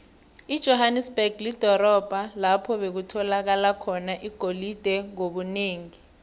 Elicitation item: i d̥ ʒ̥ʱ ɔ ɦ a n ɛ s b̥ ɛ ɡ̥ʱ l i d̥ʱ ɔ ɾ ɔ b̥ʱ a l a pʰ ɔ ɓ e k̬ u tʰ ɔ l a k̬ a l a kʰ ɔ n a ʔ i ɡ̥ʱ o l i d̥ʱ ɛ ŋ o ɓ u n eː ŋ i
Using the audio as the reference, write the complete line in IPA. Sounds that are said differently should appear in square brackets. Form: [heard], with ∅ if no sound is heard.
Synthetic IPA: i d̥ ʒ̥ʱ ɔ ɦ a n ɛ s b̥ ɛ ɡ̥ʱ l i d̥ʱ ɔ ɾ ɔ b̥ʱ a l a pʰ ɔ ɓ e k̬ u tʰ ɔ l a k̬ a l a kʰ ɔ n a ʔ i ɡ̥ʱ o l i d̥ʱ ɛ ŋ o ɓ u n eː ŋ i